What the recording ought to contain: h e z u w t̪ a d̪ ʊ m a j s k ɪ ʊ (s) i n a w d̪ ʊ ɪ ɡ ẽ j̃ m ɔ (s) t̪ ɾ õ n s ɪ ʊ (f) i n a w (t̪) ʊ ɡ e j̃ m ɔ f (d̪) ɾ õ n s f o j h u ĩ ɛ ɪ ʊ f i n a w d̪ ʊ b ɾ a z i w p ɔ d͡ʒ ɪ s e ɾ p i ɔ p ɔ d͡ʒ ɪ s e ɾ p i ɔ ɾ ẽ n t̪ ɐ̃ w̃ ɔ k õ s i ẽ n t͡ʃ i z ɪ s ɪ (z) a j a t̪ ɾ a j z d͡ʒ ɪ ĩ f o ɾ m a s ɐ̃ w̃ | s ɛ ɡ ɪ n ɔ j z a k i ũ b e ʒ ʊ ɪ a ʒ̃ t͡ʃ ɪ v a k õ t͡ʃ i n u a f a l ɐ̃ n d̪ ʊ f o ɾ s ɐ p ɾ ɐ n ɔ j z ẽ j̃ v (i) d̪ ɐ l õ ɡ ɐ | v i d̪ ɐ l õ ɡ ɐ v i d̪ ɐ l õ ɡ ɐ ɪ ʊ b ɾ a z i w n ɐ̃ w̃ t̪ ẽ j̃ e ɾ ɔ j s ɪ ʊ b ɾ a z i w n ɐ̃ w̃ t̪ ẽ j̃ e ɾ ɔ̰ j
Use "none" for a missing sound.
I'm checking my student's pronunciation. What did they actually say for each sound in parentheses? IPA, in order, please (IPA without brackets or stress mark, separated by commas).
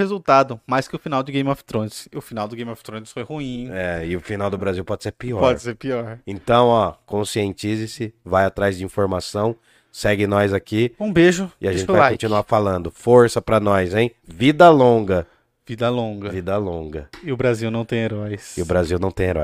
f, f, f, d̪, t̪, v, i